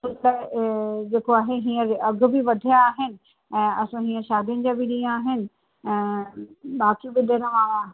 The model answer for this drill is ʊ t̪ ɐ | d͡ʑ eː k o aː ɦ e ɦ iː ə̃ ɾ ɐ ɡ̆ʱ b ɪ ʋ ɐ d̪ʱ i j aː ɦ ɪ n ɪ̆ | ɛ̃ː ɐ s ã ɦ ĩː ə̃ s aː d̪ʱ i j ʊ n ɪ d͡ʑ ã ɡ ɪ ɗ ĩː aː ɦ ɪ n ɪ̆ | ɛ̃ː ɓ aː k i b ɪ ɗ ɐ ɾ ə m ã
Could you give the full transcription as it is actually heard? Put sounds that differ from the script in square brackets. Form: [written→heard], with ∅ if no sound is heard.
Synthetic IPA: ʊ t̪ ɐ | d͡ʑ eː k o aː ɦ e ɦ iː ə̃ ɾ ɐ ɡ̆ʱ b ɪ ʋ ɐ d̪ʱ i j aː ɦ ɪ n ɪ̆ | ɛ̃ː ɐ s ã ɦ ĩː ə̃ [s→ʃ] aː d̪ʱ i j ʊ n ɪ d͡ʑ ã [ɡ→b] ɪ ɗ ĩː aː ɦ ɪ n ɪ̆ | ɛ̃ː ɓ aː k i b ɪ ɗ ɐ ɾ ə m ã